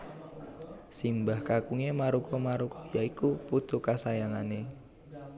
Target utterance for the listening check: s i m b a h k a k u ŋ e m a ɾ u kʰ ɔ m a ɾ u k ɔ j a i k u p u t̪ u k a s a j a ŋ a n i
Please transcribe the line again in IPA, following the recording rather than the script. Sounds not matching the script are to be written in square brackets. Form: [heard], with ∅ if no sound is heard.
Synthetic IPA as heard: s i m b a h k a k u ŋ e m a ɾ u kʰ ɔ m a ɾ u k ɔ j a i k u p u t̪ u k a s a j a ŋ a n [e]

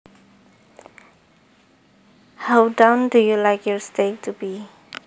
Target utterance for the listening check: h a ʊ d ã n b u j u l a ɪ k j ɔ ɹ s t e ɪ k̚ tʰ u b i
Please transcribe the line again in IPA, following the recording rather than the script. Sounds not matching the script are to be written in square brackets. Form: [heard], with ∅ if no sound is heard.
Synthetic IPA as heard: h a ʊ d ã n [d] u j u l a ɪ k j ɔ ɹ s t e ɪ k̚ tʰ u b i

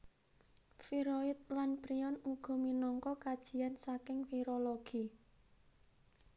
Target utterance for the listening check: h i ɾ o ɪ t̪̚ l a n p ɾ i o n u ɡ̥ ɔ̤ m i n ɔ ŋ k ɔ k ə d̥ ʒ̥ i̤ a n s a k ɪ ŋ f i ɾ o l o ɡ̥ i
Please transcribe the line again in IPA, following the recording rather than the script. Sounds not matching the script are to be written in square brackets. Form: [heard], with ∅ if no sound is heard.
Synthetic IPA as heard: [f] i ɾ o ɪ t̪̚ l a n p ɾ i [ɔ] n u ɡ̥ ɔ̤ m i n ɔ ŋ k ɔ k [a] d̥ ʒ̥ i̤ a n s a k ɪ ŋ f i ɾ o l o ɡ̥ i

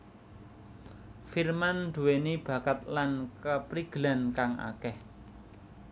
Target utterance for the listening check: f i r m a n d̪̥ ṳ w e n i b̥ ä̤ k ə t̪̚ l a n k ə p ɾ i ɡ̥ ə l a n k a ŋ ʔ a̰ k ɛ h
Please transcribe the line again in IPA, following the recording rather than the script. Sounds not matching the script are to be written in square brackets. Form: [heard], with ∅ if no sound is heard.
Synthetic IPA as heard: f i r m a n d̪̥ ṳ w e n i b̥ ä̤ k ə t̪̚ l a n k ə p ɾ i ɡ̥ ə l a n k a ŋ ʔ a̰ k ɛ h

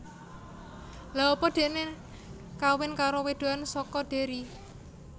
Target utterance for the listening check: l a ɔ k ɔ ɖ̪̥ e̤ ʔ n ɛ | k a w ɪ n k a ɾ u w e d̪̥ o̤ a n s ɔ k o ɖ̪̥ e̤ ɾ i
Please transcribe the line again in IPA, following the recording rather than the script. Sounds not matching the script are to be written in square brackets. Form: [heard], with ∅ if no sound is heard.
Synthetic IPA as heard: l a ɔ [p] ɔ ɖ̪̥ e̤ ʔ n [e] | k a w ɪ n k a ɾ [o] w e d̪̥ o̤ a n s ɔ k [ɔ] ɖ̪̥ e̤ ɾ i

